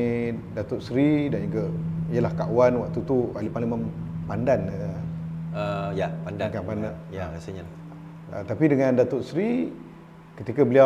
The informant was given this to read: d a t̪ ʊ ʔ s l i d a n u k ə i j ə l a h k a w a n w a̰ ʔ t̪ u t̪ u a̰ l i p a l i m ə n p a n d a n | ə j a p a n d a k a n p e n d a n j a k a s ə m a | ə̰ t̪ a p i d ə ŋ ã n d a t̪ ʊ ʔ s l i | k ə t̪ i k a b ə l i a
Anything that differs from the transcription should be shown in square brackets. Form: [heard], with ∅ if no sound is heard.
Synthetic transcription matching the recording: d a t̪ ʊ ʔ s [ɾ] i d a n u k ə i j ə l a h k a w a n w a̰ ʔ t̪ u t̪ u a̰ l i p a l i m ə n p a n d a n | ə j a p a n d a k a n p [a] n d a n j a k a s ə [ɲ] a | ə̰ t̪ a p i d ə ŋ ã n d a t̪ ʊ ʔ s [ɾ] i | k ə t̪ i k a b ə l i a